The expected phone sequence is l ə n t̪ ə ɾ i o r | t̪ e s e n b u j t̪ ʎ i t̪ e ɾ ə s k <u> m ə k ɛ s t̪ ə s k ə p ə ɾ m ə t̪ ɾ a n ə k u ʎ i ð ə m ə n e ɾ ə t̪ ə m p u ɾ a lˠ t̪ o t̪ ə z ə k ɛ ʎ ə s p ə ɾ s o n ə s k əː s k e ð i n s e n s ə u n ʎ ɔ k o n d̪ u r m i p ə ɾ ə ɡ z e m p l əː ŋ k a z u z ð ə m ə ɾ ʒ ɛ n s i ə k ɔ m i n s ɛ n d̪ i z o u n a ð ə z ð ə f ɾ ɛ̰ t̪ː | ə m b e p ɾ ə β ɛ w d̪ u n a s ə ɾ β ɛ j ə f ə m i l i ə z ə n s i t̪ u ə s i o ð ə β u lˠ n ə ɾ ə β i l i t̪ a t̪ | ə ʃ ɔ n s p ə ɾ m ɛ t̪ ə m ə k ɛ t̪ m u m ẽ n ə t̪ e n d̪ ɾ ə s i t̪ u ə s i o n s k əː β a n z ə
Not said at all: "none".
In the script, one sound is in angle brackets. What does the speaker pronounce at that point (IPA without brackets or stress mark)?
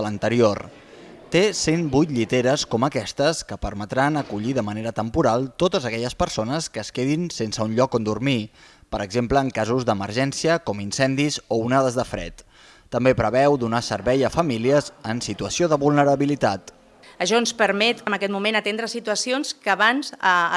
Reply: ɔ